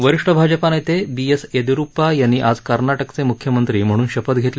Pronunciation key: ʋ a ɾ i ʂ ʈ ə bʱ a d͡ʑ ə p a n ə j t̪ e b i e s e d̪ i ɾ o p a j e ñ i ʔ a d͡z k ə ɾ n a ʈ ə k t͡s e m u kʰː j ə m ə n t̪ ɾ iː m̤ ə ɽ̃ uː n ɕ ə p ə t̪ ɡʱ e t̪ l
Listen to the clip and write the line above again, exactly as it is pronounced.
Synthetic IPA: ʋ ə ɾ i ʂ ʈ ə bʱ a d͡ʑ ə p a n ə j t̪ e b i e s e d̪ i ɾ u p a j a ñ i ʔ a d͡z k ə ɾ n a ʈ ə k t͡s e m u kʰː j ə m ə n t̪ ɾ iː m̤ ə ɽ̃ uː n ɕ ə p ə t̪ ɡʱ e t̪ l